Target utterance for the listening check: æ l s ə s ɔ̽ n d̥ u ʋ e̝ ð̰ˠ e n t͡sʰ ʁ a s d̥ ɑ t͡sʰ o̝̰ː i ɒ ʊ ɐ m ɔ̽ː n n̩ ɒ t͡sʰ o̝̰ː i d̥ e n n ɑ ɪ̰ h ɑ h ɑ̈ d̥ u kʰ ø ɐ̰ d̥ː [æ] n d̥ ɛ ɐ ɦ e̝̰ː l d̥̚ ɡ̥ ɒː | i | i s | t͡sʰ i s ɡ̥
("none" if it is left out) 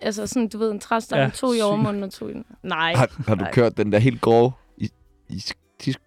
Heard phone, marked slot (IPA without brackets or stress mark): e